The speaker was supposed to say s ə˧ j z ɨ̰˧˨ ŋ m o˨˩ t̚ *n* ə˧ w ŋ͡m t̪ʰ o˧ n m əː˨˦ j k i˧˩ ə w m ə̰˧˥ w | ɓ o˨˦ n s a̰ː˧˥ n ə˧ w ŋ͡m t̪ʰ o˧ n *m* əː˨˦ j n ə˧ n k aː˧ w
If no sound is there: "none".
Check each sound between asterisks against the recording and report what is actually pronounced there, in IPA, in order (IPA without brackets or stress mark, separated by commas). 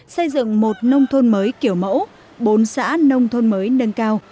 n, m